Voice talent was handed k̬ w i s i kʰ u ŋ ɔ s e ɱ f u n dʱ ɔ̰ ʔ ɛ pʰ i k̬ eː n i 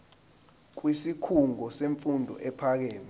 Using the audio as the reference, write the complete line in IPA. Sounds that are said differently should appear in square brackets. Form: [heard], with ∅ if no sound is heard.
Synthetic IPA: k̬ w i s i kʰ u ŋ ɔ s e ɱ f u n dʱ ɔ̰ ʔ ɛ pʰ [a] k̬ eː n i